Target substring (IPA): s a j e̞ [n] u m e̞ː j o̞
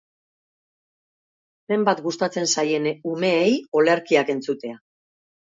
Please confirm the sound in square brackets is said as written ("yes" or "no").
yes